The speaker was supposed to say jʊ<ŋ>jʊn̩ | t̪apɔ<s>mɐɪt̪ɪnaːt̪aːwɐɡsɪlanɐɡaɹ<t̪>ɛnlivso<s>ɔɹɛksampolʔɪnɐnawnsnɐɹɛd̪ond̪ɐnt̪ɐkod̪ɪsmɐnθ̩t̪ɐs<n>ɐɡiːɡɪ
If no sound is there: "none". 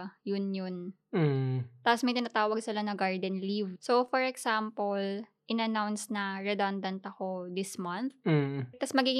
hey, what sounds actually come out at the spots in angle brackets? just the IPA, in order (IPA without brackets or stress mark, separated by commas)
n, s, d̪, f, m